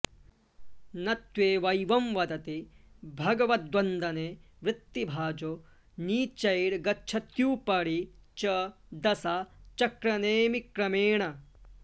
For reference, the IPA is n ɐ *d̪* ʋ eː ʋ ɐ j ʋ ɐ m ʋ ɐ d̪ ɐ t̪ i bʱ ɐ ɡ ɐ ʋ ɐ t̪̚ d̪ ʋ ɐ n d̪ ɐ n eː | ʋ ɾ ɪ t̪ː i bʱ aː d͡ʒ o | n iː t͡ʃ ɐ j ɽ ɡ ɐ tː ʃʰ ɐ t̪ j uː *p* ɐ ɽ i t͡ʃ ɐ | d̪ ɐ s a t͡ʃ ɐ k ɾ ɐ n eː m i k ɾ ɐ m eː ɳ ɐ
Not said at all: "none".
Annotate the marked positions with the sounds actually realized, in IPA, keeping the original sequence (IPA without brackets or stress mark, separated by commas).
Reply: t̪, p